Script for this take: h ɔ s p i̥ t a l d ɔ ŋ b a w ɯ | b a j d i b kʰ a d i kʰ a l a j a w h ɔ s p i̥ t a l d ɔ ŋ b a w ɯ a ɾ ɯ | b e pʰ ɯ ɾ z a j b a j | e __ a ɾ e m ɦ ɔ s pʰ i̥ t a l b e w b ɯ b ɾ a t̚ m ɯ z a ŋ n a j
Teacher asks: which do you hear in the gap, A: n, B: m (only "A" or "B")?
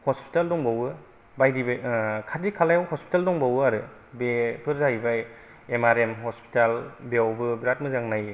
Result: B